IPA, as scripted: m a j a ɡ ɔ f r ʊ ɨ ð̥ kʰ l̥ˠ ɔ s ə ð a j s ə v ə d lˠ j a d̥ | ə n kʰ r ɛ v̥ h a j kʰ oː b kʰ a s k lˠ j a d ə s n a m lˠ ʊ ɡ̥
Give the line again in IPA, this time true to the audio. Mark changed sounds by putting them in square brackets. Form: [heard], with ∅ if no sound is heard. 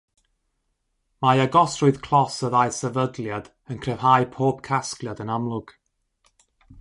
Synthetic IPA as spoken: m a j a ɡ ɔ [s] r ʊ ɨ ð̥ kʰ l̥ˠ ɔ s ə ð a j s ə v ə d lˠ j a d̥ | ə n kʰ r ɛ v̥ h a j [pʰ] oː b kʰ a s k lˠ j a d ə [∅] n a m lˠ ʊ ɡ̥

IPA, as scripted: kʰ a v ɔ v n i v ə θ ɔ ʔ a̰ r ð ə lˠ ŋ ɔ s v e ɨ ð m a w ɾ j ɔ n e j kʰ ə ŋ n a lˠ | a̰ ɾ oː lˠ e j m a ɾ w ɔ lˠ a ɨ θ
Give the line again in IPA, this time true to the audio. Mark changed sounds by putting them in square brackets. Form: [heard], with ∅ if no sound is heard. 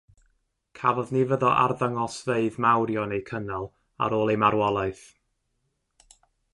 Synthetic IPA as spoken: kʰ a v ɔ [ð] n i v ə [ð] ɔ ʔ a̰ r ð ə [∅] ŋ ɔ s v e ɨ ð m a w ɾ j ɔ n e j kʰ ə [∅] n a lˠ | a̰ ɾ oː lˠ e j m a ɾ w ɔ lˠ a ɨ θ

